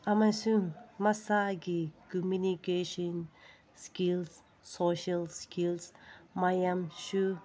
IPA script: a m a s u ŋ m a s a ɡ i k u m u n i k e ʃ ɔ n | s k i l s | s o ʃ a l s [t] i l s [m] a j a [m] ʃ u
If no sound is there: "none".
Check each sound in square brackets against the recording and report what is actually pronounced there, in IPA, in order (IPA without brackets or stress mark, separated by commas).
k, m, m